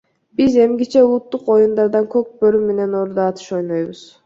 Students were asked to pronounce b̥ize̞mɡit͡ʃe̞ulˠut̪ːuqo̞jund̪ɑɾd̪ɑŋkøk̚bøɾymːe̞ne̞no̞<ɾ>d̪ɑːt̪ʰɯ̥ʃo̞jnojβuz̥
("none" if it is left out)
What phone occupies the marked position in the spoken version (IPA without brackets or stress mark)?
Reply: ɾ